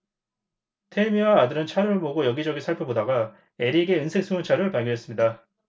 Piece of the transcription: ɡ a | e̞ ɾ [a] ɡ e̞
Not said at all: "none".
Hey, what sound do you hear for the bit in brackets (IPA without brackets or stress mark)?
i